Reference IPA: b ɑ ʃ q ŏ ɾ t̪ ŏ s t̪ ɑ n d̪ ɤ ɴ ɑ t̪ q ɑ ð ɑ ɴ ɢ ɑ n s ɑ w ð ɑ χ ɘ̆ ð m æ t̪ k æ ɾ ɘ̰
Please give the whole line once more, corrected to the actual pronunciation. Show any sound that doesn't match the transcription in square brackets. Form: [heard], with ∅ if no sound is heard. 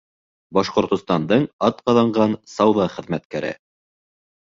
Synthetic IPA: b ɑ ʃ q ŏ ɾ t̪ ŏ s t̪ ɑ n d̪ ɤ ɴ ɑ t̪ q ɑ ð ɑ ɴ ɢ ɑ n s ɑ w ð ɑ χ ɘ̆ ð m æ t̪ k æ ɾ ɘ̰